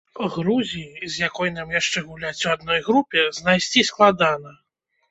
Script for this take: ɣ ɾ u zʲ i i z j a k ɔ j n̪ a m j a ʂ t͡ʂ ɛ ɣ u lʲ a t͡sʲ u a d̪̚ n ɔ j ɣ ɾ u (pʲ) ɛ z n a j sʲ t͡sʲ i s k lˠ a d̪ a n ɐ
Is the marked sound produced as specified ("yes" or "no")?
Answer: yes